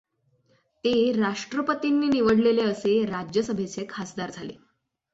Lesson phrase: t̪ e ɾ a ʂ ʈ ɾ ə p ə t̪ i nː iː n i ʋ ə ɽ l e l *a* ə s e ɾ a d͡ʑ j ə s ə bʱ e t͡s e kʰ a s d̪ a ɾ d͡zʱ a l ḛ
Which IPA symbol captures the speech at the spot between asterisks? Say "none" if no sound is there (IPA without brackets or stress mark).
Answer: e